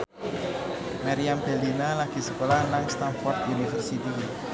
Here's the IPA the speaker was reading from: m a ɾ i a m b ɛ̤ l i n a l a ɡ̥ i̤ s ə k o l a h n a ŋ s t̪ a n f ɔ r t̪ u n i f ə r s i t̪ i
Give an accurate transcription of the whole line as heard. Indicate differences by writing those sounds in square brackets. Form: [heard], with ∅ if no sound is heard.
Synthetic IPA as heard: m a ɾ i a m b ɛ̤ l i n a l a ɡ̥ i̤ s ə k o l a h n a ŋ s t̪ a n f ɔ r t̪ u n i f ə r s i t̪ i